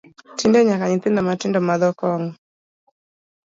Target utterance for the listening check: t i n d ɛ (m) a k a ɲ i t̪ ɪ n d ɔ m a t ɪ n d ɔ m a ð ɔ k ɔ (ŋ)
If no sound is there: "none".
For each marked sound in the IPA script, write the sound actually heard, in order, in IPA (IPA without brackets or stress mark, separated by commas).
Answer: ɲ, ŋ